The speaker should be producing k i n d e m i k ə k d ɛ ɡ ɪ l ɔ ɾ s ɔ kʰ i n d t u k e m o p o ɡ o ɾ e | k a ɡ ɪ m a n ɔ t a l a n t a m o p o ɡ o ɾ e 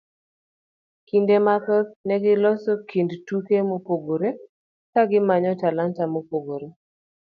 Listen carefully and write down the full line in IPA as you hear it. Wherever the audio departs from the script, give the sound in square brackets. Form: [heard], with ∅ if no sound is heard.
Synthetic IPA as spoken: k i n d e m [a] k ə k [n] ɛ ɡ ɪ l ɔ [∅] s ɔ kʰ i n d t u k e m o p o ɡ o ɾ e | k a ɡ ɪ m a [ɲ] ɔ t a l a n t a m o p o ɡ o ɾ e